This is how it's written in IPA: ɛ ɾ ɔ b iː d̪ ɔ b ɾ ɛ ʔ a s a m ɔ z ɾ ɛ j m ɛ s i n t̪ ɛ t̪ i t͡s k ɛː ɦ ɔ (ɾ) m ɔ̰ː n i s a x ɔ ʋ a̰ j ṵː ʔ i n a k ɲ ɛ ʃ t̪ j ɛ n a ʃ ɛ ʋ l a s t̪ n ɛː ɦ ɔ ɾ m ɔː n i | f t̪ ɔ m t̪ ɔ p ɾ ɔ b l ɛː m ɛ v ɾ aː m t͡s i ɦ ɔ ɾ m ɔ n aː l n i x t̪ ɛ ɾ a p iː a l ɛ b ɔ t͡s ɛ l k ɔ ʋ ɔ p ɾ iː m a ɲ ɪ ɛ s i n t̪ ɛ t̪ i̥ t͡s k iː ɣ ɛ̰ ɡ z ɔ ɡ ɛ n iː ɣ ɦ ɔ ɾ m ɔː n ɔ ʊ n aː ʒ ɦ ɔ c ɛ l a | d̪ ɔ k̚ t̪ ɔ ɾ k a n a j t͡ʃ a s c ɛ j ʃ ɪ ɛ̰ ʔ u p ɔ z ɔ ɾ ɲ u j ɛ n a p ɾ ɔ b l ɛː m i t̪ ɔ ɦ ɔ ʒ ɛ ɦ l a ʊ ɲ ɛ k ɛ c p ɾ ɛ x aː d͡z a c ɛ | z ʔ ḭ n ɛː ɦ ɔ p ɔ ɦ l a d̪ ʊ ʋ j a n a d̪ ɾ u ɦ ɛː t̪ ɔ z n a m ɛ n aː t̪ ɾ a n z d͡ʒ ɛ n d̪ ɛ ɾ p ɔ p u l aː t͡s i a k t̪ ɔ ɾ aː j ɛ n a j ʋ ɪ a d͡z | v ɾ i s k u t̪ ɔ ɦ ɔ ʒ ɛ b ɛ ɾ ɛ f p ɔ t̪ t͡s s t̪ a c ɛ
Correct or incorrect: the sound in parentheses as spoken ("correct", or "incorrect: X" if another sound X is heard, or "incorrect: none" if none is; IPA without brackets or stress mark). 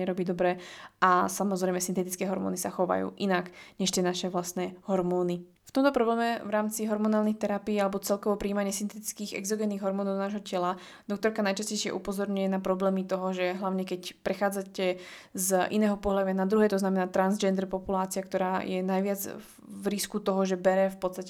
correct